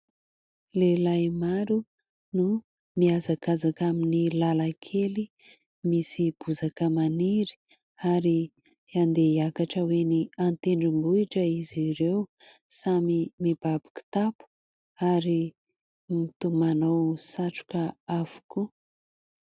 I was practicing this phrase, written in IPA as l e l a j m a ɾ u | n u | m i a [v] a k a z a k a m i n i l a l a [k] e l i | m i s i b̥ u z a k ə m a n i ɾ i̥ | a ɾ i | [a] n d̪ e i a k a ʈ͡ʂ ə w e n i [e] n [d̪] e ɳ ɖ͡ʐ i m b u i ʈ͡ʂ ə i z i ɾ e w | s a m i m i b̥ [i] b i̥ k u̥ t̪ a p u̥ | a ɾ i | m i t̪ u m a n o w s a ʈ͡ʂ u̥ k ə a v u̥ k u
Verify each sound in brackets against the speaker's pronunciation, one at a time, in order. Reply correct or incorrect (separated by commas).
incorrect, incorrect, correct, incorrect, incorrect, incorrect